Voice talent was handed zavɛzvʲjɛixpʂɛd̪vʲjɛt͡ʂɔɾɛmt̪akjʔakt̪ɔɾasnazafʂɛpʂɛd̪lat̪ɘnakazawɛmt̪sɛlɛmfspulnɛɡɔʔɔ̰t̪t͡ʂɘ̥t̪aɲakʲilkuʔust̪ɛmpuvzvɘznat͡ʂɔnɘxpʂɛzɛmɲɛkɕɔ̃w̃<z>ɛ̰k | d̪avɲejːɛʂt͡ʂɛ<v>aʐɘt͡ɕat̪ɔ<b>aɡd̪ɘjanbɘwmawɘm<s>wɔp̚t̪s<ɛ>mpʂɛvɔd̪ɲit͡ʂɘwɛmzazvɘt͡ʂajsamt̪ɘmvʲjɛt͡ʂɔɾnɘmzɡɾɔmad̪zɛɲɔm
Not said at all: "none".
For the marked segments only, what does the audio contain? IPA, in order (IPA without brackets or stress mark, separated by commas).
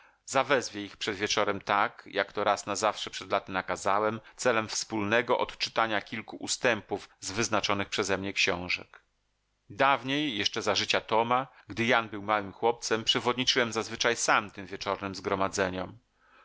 ʐ, z, m, x, ɛ